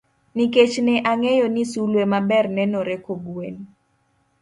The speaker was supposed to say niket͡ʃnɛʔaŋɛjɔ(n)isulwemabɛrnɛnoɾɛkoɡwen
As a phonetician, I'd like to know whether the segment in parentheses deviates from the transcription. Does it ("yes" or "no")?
no